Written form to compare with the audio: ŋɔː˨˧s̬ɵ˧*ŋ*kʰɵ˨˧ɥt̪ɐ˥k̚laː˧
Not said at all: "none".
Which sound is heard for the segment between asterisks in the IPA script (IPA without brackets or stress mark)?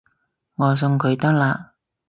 ŋ